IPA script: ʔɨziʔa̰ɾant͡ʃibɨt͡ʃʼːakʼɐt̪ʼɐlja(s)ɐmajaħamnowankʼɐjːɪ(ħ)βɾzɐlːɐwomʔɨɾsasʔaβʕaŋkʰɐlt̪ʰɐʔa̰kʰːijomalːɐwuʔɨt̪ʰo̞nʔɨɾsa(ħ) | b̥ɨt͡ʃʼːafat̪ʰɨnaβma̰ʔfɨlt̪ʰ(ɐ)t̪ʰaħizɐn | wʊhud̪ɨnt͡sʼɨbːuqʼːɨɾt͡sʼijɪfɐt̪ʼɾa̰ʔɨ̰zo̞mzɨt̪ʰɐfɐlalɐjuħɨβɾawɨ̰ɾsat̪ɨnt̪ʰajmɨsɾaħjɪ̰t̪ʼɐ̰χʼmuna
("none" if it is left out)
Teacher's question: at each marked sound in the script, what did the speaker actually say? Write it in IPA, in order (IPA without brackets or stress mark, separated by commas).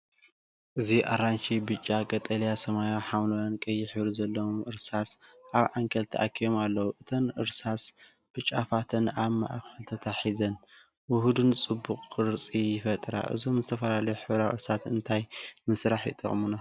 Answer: s, ħ, s, ɐ